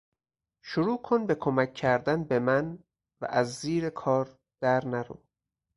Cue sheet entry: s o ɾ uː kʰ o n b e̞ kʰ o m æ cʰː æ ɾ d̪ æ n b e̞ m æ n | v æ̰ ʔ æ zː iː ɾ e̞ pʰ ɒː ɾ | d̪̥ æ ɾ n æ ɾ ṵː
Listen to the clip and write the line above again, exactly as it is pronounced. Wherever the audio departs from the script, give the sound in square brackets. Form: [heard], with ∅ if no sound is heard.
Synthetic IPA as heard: [ʃ] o ɾ uː kʰ o n b e̞ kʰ o m æ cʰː æ ɾ d̪ æ n b e̞ m æ n | v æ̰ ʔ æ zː iː ɾ e̞ [kʰ] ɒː ɾ | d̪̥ æ ɾ n æ ɾ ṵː